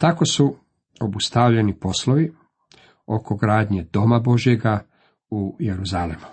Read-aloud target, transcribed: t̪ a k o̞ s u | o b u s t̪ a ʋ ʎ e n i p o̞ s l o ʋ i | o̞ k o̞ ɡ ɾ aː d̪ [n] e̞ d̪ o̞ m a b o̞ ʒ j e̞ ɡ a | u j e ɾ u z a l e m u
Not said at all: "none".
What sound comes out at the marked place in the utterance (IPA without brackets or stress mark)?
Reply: ɲ